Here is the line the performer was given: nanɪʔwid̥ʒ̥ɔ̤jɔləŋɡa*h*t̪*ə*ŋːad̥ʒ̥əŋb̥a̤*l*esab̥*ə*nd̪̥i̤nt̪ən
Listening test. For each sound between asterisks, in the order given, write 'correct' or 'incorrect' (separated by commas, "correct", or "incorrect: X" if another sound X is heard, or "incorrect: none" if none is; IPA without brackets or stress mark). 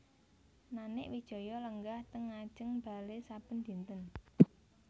correct, correct, correct, correct